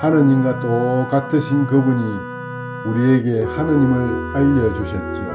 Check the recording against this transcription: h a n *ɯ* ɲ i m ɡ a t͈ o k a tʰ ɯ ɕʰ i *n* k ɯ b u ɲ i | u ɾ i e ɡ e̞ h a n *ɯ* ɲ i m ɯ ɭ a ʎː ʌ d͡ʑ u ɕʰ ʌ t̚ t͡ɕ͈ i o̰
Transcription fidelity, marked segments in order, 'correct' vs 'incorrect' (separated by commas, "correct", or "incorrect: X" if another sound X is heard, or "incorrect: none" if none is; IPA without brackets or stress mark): correct, correct, correct